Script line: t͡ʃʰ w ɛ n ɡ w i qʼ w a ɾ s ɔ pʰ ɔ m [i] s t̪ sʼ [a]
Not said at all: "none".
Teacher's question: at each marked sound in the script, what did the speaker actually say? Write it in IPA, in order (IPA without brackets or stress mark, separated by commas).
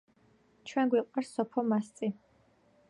a, i